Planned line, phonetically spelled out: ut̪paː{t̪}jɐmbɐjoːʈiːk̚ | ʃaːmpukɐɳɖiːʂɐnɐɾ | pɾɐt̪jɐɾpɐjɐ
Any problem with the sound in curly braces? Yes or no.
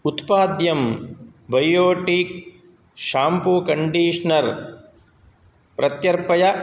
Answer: yes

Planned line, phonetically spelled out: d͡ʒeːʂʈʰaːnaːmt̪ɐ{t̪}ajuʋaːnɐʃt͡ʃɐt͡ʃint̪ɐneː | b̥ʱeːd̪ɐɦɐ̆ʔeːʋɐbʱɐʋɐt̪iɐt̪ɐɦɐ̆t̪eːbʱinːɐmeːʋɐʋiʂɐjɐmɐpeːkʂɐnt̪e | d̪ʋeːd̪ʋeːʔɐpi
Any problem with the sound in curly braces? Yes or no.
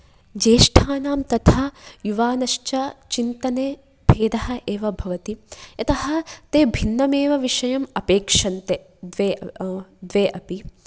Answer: yes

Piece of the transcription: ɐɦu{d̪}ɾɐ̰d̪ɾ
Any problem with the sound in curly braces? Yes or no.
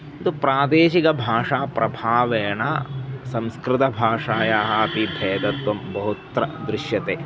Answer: yes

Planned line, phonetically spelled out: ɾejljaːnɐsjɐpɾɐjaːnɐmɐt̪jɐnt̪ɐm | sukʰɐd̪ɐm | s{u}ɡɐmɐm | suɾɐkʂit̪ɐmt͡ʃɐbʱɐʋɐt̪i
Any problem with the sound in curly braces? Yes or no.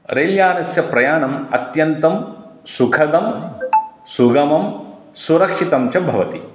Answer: no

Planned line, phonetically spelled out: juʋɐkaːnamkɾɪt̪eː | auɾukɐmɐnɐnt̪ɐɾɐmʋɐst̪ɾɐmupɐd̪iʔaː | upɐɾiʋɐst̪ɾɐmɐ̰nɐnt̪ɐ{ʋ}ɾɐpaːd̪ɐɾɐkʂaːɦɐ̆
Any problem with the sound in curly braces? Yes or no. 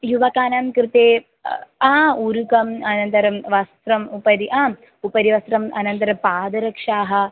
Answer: yes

